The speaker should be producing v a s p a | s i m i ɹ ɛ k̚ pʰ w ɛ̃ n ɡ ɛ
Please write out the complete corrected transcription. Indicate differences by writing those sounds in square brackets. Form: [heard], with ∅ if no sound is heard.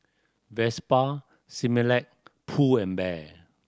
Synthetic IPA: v [ɛ] s p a | s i m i [l] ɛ k̚ pʰ [u] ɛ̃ n [b] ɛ